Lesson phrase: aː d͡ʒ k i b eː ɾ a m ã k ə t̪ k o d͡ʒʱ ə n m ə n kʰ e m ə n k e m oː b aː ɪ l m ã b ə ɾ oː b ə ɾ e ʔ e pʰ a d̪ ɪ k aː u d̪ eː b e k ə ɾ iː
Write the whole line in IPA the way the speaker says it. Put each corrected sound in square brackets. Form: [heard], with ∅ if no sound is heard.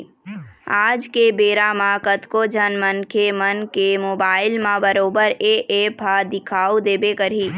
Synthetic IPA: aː d͡ʒ k [e] b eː ɾ a m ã k ə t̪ k o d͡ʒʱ ə n m ə n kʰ e m ə n k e m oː b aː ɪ l m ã b ə ɾ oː b ə ɾ e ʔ e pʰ a d̪ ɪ [kʰ] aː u d̪ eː b e k ə ɾ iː